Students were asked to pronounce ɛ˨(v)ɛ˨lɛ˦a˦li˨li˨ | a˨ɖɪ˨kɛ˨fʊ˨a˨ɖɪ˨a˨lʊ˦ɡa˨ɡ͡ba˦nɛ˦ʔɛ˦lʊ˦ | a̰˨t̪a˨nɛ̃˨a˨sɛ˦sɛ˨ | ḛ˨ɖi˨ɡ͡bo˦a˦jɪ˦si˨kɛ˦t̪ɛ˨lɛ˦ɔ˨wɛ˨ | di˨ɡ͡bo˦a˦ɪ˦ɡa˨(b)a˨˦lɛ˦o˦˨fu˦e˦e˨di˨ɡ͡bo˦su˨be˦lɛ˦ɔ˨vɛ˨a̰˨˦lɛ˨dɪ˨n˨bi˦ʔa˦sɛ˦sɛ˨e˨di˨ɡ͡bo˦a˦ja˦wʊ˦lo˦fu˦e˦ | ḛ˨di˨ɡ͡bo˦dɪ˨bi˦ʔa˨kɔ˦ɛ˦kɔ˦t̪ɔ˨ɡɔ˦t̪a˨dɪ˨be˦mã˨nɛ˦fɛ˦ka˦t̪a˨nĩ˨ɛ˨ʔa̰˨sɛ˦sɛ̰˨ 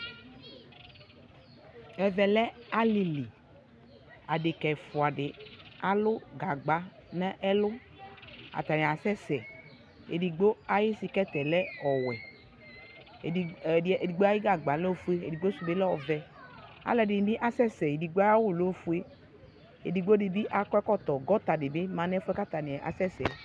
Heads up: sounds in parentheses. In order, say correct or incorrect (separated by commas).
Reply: correct, incorrect